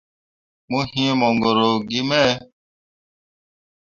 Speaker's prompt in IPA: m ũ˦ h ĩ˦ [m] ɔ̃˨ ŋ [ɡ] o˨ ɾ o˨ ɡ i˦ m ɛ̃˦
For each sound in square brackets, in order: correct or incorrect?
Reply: correct, correct

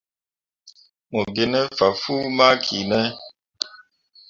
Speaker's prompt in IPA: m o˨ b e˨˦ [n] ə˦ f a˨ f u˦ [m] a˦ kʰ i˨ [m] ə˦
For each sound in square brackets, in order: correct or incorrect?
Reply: correct, correct, incorrect: n

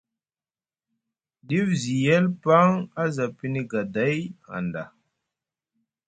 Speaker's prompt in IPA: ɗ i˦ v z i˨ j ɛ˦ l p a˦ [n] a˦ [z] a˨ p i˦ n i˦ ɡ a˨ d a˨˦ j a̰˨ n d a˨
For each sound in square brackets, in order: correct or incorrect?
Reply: incorrect: ŋ, correct

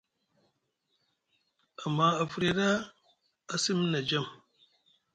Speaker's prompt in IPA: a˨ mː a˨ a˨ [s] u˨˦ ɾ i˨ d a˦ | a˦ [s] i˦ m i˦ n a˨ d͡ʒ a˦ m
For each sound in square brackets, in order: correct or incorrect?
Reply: incorrect: f, correct

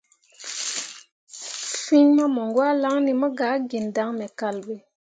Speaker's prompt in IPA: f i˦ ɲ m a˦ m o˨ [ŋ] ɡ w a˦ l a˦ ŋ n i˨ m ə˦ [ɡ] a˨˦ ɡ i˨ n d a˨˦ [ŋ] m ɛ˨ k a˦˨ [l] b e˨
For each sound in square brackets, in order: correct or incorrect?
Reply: correct, correct, correct, correct

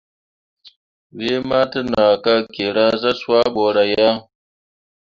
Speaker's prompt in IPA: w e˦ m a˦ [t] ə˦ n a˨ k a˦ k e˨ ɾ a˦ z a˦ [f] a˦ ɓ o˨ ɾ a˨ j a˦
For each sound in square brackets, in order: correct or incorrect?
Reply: correct, incorrect: s

